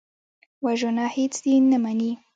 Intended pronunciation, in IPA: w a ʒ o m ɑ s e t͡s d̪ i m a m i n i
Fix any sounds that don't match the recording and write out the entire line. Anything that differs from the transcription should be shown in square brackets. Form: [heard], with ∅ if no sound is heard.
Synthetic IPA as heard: w a ʒ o [n] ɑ [h] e t͡s d̪ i [n] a m [a] n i